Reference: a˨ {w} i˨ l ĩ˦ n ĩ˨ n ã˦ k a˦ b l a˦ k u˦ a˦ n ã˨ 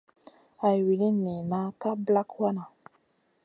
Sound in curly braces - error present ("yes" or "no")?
no